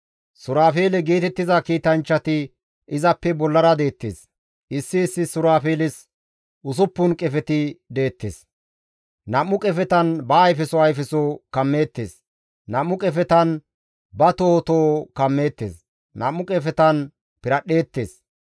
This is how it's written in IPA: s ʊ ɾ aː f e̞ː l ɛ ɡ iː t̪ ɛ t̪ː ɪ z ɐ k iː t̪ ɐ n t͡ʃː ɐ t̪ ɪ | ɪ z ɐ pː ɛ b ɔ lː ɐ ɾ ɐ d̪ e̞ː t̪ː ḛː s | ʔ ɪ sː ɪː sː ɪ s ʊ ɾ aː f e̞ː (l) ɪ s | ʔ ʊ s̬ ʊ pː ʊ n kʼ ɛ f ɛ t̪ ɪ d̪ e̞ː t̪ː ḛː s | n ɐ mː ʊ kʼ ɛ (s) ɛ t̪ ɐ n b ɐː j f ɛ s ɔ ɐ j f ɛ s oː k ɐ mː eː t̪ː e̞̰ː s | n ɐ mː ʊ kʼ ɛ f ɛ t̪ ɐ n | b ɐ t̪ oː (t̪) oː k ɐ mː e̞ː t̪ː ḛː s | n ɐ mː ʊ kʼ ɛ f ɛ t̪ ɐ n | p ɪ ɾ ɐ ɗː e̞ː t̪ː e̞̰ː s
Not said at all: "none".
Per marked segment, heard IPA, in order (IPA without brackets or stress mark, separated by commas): l, f, t̪